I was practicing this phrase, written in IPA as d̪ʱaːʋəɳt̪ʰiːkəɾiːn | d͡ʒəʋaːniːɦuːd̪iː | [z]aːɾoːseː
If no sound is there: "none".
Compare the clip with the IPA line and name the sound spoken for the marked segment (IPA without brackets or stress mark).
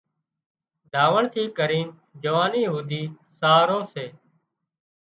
s